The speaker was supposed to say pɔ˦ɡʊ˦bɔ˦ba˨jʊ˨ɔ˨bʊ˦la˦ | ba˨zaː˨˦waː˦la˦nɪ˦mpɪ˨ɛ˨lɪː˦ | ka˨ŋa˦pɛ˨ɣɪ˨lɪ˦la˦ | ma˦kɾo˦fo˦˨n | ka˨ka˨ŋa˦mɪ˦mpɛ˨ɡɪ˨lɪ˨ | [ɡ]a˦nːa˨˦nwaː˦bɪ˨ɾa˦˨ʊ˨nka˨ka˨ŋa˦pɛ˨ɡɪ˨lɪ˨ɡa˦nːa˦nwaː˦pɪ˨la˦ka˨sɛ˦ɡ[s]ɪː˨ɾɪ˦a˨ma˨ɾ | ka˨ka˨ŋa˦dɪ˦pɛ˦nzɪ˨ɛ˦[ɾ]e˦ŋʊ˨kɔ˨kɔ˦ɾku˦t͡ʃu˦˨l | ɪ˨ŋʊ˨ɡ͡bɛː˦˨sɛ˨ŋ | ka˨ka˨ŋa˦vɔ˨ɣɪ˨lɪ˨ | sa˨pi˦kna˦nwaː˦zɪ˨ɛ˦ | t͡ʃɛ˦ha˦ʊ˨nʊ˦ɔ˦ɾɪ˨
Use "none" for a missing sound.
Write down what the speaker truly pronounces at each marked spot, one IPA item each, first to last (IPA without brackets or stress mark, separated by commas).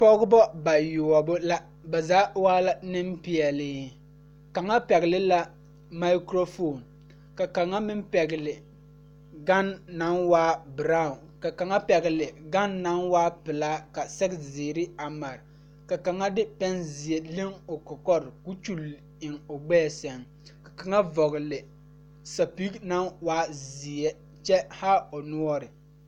ɡ, z, l